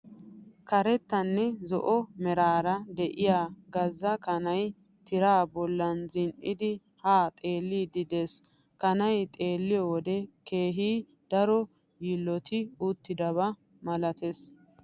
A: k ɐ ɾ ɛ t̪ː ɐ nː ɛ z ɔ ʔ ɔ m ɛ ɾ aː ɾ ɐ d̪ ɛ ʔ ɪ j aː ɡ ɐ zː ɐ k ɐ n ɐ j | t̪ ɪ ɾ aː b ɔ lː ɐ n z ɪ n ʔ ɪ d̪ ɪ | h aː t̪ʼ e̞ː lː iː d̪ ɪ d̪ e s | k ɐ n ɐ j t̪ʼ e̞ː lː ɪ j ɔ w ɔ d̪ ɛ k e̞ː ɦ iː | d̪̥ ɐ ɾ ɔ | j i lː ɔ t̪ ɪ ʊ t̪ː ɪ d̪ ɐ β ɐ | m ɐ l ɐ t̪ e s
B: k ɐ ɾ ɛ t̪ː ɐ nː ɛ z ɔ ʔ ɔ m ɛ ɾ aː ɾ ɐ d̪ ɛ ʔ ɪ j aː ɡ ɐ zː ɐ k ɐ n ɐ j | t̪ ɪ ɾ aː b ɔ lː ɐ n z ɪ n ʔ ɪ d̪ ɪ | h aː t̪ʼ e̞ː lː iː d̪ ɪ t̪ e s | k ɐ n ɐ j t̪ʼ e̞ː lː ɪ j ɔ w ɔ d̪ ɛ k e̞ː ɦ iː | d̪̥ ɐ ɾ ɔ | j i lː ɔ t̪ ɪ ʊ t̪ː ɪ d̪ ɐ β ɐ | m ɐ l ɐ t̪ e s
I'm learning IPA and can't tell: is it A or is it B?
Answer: A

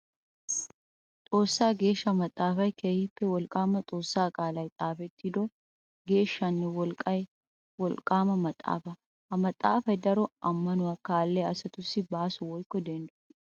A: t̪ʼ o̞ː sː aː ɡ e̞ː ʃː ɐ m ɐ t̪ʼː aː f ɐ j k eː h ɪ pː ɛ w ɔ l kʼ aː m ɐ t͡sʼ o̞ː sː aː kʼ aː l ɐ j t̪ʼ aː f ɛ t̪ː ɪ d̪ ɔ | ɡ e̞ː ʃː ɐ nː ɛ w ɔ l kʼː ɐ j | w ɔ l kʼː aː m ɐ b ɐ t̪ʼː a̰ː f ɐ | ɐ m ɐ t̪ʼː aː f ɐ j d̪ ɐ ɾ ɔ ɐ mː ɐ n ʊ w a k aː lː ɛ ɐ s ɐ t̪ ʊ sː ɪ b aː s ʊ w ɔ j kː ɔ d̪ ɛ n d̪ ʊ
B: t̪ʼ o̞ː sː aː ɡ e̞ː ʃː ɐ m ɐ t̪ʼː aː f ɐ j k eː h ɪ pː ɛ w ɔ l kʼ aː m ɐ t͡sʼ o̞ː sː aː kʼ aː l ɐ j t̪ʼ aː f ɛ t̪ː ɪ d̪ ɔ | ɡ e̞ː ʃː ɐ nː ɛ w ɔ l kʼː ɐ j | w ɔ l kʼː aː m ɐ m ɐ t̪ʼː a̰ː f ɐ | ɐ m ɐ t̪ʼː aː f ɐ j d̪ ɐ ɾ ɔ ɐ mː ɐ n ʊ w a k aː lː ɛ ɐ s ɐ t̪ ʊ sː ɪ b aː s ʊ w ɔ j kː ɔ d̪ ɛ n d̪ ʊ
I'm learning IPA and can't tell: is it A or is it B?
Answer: B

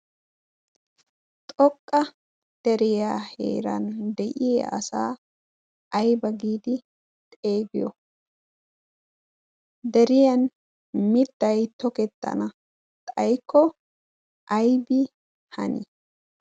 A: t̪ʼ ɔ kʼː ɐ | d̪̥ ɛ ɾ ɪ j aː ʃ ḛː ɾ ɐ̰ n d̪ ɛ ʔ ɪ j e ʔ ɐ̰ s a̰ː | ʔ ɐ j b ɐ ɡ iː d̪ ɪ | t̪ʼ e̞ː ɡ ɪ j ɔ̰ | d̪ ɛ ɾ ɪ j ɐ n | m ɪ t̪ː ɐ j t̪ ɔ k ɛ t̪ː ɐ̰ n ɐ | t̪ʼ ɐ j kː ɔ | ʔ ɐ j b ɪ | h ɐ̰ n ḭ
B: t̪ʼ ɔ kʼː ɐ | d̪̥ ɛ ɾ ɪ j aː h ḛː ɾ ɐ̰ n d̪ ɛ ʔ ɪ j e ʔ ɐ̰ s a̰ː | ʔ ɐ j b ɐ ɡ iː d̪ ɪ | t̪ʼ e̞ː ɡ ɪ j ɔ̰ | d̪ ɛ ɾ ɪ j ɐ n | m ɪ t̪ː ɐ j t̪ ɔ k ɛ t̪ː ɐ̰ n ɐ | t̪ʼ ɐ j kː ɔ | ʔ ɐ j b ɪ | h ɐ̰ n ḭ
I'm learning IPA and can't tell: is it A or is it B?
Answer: B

